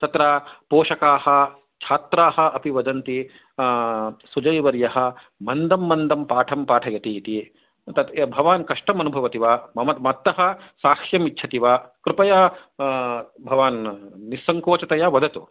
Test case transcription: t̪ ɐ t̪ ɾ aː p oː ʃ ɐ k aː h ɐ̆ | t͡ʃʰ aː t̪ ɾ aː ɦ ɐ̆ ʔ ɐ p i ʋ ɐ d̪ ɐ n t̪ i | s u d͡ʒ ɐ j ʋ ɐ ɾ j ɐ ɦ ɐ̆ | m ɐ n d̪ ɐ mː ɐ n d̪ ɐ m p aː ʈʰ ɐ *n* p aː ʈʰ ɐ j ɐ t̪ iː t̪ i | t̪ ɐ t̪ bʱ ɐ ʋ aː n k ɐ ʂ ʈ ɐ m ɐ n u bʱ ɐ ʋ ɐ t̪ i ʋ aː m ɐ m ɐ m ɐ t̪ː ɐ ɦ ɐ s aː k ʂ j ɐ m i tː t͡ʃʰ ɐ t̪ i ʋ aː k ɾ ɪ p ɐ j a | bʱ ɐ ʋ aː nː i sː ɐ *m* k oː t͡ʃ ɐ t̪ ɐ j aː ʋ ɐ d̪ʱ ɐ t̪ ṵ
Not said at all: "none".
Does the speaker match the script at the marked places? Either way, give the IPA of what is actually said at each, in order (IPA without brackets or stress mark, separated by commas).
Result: m, ŋ